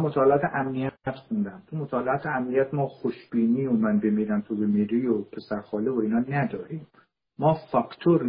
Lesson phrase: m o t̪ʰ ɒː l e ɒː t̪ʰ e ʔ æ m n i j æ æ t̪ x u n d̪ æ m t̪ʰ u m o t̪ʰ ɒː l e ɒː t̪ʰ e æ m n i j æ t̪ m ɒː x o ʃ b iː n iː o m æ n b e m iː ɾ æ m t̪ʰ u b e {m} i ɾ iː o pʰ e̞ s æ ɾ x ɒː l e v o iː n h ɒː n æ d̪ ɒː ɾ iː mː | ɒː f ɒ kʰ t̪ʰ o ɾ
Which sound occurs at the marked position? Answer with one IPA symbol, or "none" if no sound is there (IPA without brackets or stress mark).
m